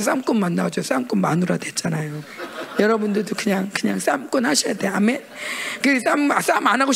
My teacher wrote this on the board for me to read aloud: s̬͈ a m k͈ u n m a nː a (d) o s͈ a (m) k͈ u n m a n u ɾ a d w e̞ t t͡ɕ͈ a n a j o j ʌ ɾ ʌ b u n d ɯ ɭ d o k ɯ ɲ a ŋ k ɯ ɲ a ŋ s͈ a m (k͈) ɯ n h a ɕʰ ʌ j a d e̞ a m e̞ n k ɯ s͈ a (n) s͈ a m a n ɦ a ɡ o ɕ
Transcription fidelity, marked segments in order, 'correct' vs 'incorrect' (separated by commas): incorrect, correct, correct, incorrect